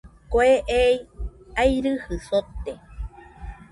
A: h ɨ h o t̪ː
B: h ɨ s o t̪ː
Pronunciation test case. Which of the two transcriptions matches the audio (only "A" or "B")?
B